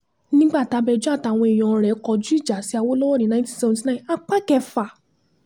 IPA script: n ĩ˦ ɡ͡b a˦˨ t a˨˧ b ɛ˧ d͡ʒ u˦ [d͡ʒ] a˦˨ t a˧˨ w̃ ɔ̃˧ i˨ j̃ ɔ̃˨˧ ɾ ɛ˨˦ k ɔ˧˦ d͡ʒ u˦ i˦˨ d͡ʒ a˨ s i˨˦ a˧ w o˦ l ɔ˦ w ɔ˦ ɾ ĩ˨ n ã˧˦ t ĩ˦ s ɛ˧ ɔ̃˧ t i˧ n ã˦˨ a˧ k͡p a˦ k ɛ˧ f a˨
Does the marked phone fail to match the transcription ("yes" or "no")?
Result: yes